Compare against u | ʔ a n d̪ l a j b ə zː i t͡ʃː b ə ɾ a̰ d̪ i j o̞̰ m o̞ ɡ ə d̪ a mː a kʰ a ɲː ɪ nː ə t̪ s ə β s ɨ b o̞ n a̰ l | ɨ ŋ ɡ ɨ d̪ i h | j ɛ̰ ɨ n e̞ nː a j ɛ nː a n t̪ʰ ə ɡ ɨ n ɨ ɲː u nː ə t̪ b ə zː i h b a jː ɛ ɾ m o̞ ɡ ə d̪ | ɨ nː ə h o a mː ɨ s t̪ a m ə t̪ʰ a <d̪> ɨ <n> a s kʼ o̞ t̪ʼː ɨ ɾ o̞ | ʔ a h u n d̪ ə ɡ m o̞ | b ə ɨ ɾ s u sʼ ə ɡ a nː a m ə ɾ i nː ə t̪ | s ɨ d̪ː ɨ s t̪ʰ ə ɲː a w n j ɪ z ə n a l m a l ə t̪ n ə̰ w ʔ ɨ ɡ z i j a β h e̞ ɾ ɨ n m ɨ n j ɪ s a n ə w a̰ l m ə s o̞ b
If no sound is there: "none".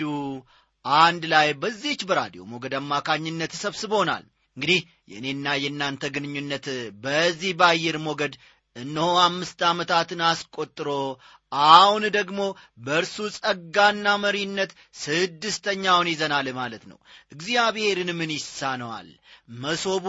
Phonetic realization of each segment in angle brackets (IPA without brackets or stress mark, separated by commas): t̪, n